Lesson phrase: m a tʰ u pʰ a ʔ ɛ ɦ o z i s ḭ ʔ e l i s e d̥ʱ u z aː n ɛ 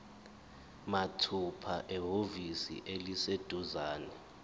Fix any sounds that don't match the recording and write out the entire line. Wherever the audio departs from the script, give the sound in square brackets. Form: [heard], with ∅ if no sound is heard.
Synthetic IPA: m a tʰ u pʰ a ʔ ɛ ɦ o [v] i s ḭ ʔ e l i s e d̥ʱ u z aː n ɛ